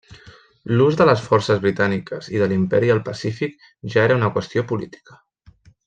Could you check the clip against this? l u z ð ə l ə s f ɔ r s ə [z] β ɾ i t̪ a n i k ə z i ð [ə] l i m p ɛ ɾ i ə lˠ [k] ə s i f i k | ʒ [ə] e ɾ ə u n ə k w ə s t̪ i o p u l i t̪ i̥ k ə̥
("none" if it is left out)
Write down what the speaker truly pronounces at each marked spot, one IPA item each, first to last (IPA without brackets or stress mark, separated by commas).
z, ə, p, a